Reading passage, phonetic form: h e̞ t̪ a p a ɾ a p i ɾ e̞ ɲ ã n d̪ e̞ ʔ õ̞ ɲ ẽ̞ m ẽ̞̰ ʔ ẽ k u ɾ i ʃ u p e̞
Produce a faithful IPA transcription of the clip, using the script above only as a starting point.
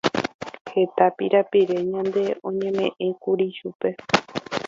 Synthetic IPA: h e̞ t̪ a p i ɾ a p i ɾ e̞ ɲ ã n d̪ e̞ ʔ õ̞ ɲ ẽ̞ m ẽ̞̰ ʔ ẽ k u ɾ i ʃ u p e̞